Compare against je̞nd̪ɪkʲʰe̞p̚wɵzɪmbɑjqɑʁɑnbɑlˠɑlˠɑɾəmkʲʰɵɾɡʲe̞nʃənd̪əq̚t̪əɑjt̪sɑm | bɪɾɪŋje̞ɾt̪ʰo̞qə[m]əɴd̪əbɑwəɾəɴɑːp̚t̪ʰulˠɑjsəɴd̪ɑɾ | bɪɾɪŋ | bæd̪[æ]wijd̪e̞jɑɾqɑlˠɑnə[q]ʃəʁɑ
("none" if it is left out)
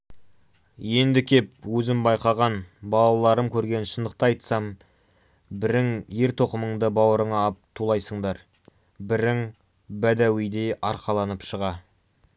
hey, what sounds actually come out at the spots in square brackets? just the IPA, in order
m, æ, p

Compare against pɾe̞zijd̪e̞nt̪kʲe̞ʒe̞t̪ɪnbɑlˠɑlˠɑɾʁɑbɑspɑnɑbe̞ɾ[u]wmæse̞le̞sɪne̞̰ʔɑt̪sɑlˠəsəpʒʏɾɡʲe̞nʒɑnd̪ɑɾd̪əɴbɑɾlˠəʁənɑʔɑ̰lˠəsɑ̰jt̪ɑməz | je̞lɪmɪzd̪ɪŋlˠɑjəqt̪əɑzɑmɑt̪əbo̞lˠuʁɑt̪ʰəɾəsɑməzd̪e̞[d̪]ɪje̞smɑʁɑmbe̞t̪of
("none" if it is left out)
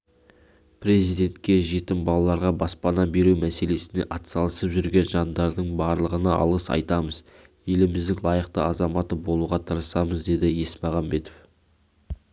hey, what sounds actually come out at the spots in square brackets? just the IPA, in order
u, d̪

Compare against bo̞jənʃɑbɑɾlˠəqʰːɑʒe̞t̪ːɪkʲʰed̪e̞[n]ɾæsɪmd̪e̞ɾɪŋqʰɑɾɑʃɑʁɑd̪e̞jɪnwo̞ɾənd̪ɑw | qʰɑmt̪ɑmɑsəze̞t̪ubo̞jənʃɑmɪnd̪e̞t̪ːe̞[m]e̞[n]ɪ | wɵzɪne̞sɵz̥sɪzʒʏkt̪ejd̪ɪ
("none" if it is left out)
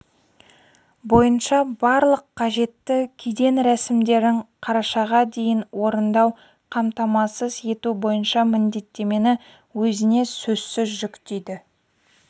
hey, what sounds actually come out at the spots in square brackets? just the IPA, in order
n, m, n

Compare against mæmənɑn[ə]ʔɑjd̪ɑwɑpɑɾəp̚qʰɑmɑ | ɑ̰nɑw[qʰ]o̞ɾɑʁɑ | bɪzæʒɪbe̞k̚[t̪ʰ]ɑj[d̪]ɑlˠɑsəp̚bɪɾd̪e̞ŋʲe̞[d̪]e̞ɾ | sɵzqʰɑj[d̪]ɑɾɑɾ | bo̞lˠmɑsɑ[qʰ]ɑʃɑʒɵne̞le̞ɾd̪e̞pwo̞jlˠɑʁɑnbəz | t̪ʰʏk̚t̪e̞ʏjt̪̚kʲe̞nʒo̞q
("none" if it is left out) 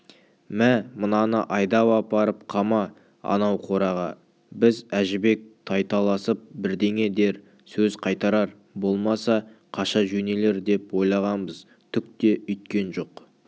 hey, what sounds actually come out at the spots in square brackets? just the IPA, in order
ə, qʰ, t̪ʰ, t̪, d̪, t̪, qʰ

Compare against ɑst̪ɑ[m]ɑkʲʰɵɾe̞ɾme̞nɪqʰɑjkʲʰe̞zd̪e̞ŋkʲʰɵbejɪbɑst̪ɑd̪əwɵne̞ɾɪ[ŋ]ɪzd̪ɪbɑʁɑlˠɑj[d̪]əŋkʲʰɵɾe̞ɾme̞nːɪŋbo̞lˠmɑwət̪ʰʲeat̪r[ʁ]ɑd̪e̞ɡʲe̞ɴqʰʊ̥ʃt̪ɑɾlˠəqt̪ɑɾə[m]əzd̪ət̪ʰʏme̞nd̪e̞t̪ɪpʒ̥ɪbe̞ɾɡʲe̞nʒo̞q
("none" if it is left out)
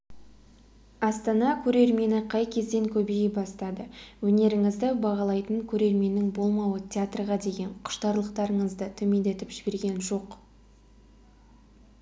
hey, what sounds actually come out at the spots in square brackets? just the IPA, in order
n, ŋ, t̪, ʁ, ɴ

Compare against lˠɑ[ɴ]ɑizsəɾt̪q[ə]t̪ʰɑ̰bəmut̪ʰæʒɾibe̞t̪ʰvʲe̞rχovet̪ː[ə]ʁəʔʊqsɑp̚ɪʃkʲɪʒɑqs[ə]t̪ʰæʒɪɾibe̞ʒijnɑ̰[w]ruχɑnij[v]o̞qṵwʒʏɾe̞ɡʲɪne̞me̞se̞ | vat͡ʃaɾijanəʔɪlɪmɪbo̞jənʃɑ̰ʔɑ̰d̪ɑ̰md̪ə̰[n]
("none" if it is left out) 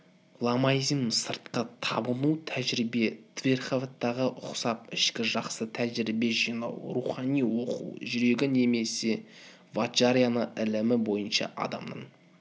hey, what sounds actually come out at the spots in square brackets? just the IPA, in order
m, ə, ɑ, ə, w, w, ɴ

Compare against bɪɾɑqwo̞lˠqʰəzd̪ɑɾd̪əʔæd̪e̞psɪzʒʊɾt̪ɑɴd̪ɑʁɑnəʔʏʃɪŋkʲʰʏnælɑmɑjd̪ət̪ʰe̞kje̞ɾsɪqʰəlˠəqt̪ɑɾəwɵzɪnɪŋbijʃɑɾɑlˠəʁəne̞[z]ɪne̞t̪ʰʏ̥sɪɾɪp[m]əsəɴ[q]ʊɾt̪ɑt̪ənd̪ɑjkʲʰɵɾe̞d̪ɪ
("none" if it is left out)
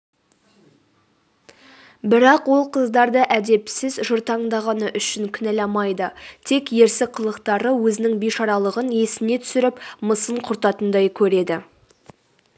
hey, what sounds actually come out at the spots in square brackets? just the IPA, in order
s, m, qʰ

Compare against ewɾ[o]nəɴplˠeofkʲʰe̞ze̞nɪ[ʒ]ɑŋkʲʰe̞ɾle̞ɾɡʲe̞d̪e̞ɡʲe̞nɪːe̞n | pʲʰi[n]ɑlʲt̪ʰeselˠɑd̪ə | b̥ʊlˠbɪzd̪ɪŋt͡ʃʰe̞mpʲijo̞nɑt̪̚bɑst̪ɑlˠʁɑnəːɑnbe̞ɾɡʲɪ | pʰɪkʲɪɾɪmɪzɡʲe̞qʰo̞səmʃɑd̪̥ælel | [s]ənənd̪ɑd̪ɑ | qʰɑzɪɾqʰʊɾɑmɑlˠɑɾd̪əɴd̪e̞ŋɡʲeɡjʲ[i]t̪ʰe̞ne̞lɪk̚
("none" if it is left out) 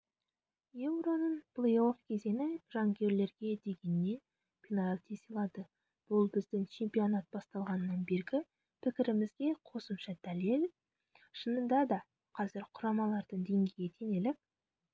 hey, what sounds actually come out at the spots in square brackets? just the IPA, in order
o, ʒ, n, ʃ, e

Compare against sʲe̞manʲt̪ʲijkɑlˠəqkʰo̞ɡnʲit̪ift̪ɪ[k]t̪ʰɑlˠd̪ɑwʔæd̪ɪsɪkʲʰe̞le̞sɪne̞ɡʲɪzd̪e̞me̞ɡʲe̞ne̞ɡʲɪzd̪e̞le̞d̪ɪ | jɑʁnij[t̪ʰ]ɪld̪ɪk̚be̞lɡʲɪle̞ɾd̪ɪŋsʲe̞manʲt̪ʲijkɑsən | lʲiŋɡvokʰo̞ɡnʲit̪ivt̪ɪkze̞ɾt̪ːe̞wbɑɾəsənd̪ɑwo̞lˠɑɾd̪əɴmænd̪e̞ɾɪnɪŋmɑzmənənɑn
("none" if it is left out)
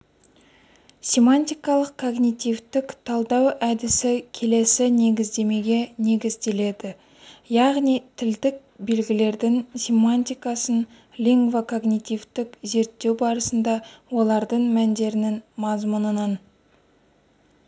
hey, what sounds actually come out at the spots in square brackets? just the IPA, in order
k, t̪ʰ

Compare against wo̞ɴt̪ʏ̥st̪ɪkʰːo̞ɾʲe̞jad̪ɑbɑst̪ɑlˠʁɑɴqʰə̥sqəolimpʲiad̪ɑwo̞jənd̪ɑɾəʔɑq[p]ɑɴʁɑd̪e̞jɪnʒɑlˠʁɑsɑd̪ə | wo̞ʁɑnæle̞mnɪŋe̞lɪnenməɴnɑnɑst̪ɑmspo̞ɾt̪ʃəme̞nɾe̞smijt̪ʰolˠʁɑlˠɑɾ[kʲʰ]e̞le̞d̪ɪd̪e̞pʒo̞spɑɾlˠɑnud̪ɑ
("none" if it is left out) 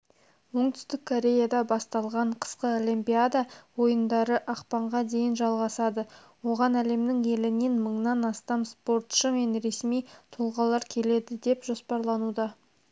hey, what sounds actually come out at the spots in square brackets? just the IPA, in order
p, kʲʰ

